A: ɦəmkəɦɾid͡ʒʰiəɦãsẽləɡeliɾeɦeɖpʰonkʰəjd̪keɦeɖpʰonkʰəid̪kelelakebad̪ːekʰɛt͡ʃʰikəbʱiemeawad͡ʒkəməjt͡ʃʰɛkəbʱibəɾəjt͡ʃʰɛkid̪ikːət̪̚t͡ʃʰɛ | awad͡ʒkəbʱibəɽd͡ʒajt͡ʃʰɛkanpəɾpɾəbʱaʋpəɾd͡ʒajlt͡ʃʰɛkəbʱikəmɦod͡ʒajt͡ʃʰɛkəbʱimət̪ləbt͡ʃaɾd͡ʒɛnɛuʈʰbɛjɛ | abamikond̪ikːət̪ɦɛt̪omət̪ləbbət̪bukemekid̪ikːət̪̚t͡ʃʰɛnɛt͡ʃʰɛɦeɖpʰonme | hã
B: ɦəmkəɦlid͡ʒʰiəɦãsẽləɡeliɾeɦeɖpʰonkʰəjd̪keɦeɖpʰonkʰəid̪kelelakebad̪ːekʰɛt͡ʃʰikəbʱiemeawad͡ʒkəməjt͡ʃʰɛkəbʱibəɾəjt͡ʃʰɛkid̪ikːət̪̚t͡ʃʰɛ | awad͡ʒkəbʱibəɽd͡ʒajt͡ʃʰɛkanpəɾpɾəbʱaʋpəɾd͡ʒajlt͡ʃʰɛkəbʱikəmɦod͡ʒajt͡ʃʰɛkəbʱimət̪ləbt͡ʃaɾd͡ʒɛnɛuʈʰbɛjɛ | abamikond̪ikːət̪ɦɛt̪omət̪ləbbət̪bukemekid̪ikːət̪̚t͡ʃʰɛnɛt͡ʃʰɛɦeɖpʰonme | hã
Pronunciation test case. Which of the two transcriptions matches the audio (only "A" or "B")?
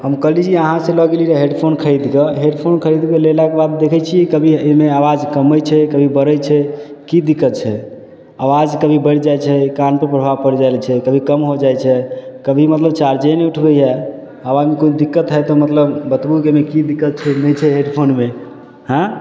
B